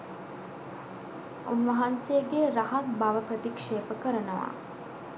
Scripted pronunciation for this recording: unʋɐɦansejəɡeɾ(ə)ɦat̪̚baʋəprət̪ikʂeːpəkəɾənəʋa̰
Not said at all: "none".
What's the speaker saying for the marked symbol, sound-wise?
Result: a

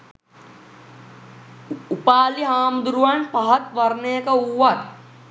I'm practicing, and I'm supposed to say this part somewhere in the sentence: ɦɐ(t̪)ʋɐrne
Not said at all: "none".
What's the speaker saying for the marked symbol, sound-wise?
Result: t̪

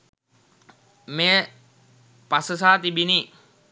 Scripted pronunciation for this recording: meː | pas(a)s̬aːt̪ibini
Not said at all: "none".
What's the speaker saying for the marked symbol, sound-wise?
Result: ə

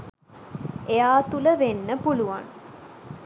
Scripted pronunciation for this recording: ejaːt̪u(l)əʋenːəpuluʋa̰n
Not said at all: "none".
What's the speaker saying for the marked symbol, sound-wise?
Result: l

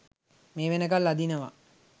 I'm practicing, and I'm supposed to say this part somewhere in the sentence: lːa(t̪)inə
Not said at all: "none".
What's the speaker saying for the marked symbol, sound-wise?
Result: d̪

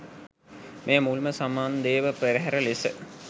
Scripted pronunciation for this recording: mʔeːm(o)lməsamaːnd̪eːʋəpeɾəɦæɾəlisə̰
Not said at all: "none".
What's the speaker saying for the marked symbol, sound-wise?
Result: u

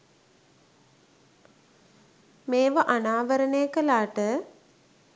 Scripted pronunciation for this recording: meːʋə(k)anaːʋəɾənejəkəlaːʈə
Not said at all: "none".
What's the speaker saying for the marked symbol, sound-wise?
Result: ʔ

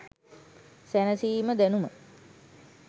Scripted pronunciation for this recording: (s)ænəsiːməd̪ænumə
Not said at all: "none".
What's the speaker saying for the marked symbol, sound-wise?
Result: s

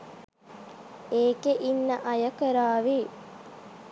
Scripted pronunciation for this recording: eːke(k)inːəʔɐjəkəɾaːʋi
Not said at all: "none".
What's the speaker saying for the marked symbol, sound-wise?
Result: ʔ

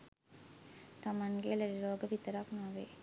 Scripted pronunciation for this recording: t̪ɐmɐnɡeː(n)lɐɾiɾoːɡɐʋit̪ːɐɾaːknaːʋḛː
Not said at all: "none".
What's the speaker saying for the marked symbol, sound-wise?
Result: none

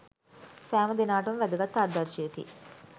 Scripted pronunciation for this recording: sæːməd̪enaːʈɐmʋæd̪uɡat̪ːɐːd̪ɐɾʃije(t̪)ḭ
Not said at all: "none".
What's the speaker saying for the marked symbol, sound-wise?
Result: t̪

